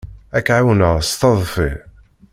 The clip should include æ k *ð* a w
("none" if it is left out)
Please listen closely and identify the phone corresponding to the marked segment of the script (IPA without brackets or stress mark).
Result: ʕ